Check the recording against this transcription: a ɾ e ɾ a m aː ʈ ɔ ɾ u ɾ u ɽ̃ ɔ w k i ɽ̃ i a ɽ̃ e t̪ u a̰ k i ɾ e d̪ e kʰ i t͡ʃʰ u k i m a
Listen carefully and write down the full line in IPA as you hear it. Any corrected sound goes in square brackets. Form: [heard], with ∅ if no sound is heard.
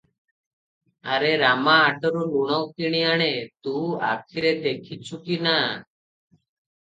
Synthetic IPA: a ɾ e ɾ a m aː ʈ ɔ ɾ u [l] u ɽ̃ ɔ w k i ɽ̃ i a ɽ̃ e t̪ u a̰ [kʰ] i ɾ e d̪ e kʰ i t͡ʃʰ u k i [n] a